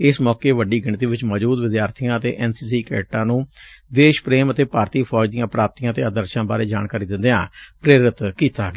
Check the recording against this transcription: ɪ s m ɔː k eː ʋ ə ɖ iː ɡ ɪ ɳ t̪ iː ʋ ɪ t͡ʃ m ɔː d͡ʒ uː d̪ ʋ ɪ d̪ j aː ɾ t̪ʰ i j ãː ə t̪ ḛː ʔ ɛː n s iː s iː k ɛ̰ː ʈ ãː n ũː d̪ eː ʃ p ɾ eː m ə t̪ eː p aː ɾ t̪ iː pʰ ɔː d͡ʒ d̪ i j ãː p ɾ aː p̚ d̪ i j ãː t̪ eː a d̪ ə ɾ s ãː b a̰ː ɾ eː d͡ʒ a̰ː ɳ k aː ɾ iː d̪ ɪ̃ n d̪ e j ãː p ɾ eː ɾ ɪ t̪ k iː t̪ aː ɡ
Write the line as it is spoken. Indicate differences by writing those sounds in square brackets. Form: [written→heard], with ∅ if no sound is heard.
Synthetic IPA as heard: ɪ s m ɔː k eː ʋ ə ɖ iː ɡ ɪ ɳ t̪ iː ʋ ɪ t͡ʃ m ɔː d͡ʒ uː d̪ ʋ ɪ d̪ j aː ɾ t̪ʰ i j ãː ə t̪ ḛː ʔ ɛː n s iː s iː k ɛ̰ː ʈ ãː n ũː d̪ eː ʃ p ɾ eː m ə t̪ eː p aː ɾ t̪ iː pʰ ɔː d͡ʒ d̪ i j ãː p ɾ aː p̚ [d̪→t̪] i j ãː t̪ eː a d̪ ə ɾ [s→ʃ] ãː b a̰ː ɾ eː d͡ʒ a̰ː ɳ k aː ɾ iː d̪ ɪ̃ n d̪ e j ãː p ɾ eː ɾ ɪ t̪ k iː t̪ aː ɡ